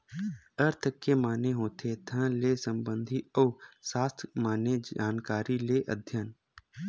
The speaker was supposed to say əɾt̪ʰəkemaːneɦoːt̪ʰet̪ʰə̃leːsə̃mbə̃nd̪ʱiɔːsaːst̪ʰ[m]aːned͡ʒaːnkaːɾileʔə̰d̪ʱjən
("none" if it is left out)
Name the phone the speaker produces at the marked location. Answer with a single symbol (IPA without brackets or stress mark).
m